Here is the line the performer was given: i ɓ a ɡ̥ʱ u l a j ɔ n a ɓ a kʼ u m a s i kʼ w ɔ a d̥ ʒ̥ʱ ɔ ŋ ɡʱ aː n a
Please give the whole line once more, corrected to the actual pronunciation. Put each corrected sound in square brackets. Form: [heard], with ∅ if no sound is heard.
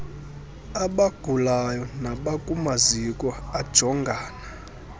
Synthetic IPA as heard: [a] ɓ a ɡ̥ʱ u l a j ɔ n a ɓ a kʼ u m a [z] i kʼ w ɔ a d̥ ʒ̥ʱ ɔ ŋ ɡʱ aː n a